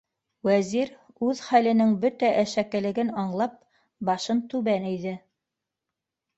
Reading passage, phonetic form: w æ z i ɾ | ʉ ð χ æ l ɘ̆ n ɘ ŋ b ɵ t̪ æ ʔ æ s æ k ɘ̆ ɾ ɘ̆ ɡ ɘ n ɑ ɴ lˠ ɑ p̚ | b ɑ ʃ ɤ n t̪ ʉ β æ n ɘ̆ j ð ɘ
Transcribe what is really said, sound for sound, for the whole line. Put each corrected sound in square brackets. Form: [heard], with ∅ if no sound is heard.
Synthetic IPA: w æ z i ɾ | ʉ ð χ æ l ɘ̆ n ɘ ŋ b ɵ t̪ æ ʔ æ [ʃ] æ k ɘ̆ [l] ɘ̆ ɡ ɘ n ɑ ɴ lˠ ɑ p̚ | b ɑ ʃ ɤ n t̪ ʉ β æ n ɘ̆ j ð ɘ